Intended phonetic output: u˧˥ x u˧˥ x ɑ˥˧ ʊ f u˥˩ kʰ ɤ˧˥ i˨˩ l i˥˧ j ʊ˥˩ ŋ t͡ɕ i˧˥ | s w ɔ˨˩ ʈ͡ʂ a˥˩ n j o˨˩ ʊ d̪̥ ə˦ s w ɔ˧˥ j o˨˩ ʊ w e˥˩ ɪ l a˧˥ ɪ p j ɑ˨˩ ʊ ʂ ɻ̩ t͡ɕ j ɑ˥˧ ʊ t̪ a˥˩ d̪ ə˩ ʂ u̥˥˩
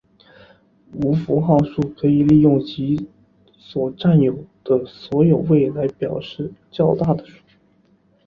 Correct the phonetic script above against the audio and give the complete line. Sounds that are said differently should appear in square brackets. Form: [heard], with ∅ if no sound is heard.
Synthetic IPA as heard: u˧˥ [f] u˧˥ x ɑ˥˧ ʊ [ʂ] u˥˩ kʰ ɤ˧˥ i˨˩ l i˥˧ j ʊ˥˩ ŋ t͡ɕ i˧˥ | s w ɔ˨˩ ʈ͡ʂ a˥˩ n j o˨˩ ʊ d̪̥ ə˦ s w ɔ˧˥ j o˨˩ ʊ w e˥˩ ɪ l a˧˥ ɪ p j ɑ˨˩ ʊ ʂ ɻ̩ t͡ɕ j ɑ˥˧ ʊ t̪ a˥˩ d̪ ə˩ ʂ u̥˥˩